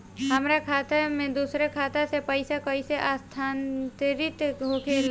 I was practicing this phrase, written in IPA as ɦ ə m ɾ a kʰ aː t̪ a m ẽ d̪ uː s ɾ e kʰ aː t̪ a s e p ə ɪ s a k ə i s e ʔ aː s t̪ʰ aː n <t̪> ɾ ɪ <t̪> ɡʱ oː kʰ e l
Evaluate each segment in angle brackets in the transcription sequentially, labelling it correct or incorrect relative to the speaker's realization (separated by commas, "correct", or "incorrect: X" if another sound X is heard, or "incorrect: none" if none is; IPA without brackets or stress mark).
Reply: correct, correct